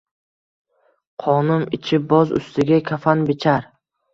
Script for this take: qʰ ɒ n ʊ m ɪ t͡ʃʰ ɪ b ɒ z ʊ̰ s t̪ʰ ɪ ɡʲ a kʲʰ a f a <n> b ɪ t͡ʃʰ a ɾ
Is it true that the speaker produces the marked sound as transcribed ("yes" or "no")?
yes